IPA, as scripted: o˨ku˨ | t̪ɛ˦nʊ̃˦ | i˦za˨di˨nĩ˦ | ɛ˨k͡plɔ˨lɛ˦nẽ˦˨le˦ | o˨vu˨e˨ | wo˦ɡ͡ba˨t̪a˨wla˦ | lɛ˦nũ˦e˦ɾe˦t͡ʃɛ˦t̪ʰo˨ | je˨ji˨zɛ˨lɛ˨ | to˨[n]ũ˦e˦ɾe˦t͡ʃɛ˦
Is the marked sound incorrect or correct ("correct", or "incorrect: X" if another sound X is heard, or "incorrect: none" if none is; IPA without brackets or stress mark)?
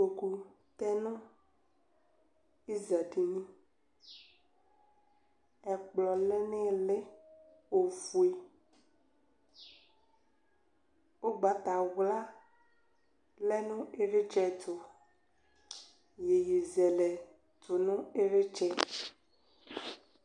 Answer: correct